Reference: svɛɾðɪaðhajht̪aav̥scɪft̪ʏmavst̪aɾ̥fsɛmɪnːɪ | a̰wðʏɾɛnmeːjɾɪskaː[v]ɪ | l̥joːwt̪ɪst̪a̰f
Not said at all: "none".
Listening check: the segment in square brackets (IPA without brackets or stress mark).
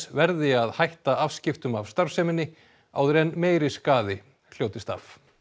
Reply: ð